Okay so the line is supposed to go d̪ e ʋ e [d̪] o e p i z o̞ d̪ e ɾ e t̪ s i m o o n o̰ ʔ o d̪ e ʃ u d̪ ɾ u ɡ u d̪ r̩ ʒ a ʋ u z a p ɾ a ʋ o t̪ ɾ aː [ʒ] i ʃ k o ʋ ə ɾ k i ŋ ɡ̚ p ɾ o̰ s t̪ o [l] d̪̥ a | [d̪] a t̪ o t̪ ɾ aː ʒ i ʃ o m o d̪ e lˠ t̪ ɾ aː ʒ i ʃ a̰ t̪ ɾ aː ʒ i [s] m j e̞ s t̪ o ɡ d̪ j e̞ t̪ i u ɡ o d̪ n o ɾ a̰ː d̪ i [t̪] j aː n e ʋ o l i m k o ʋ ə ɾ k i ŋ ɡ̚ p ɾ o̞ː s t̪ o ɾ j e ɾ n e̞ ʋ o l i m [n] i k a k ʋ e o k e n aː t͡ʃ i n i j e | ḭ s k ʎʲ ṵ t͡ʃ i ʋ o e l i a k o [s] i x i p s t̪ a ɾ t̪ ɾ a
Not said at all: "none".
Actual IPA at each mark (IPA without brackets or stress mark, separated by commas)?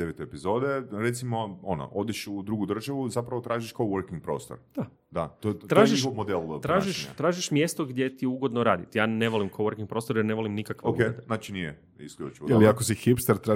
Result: t̪, ʒ, ɾ, d̪, ʃ, t̪, n, s